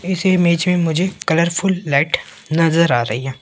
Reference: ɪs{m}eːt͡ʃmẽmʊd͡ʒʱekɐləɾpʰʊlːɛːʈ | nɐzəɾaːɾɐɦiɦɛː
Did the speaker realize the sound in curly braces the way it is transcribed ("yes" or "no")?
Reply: yes